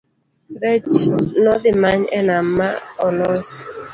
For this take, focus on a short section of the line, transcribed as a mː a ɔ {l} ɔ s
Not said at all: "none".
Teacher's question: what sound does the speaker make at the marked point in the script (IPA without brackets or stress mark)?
l